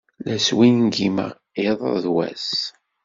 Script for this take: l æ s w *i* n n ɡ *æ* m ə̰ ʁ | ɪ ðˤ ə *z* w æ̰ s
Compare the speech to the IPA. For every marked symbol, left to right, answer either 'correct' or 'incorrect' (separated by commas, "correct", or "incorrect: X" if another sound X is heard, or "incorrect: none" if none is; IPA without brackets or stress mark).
correct, incorrect: i, incorrect: ð